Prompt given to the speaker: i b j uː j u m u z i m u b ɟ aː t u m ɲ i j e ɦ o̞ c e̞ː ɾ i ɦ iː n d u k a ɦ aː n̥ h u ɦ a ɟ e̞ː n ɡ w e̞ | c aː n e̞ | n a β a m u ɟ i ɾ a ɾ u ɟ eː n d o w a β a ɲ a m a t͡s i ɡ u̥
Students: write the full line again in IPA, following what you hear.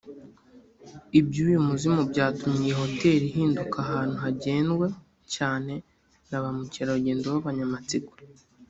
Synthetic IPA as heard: i b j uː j u m u z i m u b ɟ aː t u m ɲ i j e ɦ o̞ t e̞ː ɾ i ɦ iː n d u k a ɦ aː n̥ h u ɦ a ɟ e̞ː n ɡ w e̞ | c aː n e̞ | n a β a m u c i ɾ a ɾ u ɟ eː n d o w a β a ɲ a m a t͡s i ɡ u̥